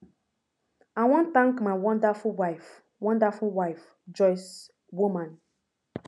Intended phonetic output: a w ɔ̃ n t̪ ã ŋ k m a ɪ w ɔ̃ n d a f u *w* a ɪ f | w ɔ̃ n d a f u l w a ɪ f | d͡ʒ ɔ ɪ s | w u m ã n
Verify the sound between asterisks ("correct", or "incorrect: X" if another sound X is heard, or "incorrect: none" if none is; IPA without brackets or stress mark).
correct